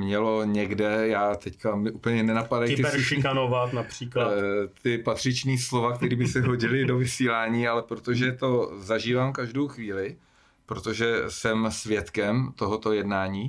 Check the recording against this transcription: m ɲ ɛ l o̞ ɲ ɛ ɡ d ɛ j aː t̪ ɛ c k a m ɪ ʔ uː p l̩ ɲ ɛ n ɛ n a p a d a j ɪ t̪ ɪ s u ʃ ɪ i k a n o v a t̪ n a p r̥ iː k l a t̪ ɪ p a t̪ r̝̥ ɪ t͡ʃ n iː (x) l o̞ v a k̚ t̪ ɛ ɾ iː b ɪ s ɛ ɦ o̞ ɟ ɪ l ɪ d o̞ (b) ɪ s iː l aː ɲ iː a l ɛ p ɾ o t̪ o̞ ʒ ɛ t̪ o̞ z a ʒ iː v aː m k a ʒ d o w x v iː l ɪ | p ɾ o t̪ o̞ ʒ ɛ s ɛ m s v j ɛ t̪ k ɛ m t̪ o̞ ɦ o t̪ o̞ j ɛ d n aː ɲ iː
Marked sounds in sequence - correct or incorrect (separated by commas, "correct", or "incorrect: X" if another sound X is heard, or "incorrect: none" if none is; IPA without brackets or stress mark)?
incorrect: s, incorrect: v